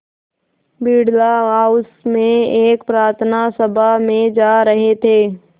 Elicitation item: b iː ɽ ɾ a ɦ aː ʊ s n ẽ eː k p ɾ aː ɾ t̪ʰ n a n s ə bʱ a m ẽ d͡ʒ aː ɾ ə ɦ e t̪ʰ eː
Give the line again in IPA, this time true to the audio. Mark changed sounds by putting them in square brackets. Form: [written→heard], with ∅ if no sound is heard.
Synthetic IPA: b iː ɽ [ɾ→l] a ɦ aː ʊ s [n→m] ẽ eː k p ɾ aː ɾ t̪ʰ n a [n→∅] s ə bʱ a m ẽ d͡ʒ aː ɾ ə ɦ e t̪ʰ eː